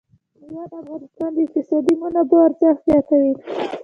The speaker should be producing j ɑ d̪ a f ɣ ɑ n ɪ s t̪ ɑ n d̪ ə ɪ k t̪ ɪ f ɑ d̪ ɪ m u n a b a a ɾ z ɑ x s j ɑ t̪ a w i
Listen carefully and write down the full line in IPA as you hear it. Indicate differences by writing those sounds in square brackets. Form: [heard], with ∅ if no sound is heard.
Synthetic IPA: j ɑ d̪ a f ɣ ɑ n ɪ s t̪ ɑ n d̪ ə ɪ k t̪ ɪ [s] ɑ d̪ [i] m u n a b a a ɾ z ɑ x [z] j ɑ t̪ a w i